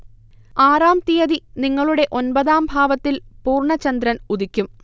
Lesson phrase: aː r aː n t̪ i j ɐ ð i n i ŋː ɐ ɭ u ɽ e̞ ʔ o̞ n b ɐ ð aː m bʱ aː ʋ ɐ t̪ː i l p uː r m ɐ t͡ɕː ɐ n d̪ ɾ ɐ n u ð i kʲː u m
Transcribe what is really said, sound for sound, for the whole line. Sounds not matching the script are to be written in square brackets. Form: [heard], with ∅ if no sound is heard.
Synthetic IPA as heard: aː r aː [m] t̪ i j ɐ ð i n i ŋː ɐ ɭ u ɽ e̞ ʔ o̞ n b ɐ ð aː m bʱ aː ʋ ɐ t̪ː i l p uː r [ɳ] ɐ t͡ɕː ɐ n d̪ ɾ ɐ n u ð i kʲː u m